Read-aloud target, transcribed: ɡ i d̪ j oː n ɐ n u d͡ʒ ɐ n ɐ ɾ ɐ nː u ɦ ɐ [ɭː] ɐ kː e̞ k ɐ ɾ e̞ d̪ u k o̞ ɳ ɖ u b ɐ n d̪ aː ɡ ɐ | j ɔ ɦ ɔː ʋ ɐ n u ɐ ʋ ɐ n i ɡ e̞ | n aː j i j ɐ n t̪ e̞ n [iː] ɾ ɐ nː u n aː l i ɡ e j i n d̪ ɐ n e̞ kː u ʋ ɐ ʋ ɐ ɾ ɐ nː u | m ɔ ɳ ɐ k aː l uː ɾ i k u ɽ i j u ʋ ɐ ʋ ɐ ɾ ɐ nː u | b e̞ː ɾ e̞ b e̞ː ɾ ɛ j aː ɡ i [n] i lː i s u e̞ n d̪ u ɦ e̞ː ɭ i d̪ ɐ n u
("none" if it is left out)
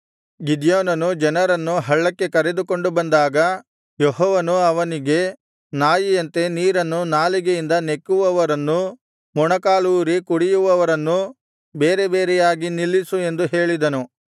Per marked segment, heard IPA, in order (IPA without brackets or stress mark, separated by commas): ɭː, iː, n